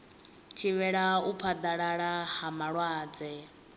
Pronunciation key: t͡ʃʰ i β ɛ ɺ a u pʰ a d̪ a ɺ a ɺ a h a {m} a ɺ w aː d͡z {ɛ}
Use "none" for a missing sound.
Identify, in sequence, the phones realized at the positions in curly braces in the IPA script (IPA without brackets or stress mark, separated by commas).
m, ɛ